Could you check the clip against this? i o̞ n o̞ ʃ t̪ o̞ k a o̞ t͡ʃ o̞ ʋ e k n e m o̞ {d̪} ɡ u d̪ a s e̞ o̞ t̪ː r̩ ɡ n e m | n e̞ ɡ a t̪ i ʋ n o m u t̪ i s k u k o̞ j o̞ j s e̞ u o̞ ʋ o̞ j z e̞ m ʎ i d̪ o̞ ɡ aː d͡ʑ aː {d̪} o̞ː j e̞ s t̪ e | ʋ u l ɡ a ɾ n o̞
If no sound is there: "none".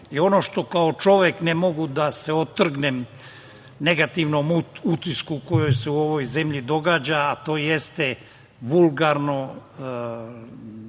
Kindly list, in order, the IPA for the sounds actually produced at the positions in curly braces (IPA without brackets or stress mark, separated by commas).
none, t̪